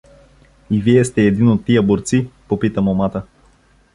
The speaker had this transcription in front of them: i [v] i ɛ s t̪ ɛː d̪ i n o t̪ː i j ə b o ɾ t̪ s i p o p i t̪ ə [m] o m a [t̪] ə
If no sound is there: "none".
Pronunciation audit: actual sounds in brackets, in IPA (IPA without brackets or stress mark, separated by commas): v, m, t̪